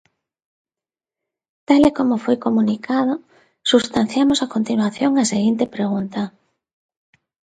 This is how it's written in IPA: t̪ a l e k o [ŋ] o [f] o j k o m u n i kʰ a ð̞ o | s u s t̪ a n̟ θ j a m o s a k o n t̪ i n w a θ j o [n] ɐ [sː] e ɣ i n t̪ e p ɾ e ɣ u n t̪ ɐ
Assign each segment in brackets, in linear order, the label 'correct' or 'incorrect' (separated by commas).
incorrect, correct, incorrect, incorrect